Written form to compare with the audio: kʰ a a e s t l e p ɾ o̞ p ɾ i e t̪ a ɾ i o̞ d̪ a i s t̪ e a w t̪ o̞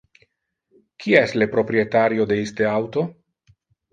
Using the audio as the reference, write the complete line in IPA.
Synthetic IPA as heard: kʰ i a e s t l e p ɾ o̞ p ɾ i e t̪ a ɾ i o̞ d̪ e i s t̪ e a w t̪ o̞